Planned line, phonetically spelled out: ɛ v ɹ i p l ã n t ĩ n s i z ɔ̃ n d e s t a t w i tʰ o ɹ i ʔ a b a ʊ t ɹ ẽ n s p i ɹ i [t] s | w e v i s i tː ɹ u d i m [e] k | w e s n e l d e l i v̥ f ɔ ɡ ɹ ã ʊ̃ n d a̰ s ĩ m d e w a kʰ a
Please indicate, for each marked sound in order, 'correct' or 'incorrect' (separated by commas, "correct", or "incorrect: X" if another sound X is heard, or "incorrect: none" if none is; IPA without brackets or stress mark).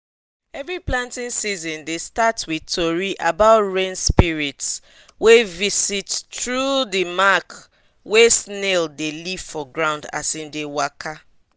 correct, incorrect: a